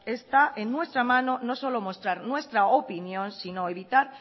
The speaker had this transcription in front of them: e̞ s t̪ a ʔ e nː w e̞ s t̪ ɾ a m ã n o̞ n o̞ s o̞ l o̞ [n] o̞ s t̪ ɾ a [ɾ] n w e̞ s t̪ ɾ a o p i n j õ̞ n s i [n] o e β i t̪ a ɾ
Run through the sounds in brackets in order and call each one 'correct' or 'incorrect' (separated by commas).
incorrect, correct, correct